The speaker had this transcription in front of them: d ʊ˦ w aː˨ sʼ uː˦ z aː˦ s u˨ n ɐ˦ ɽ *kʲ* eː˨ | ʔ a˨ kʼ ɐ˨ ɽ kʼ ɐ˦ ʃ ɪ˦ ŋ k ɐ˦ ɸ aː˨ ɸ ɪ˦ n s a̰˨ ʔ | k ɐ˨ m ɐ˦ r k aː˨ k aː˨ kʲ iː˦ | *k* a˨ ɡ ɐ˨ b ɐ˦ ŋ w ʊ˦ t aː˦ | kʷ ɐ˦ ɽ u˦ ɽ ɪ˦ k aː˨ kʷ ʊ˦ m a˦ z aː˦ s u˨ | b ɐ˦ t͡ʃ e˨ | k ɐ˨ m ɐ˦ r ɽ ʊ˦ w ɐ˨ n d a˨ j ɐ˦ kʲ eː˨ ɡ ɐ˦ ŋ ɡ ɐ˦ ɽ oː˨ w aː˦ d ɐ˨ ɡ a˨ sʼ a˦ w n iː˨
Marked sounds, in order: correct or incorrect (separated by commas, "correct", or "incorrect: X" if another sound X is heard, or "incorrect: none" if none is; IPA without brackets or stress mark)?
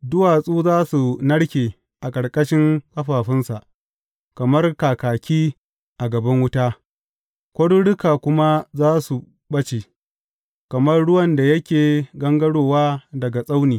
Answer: correct, incorrect: ʔ